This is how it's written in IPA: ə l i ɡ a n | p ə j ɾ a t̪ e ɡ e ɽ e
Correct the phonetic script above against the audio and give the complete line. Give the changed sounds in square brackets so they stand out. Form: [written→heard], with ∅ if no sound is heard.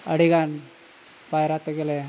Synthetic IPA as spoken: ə [l→ɽ] i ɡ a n | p [ə→a] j ɾ a t̪ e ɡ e [ɽ→l] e